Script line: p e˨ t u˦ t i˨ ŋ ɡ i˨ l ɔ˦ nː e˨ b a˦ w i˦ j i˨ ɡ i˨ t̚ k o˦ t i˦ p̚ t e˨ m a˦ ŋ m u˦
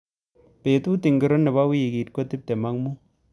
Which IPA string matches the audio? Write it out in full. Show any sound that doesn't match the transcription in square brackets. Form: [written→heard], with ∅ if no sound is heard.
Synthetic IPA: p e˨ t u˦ t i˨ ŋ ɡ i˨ [l→ɾ] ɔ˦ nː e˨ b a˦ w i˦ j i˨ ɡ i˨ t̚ k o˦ t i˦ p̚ t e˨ m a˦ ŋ m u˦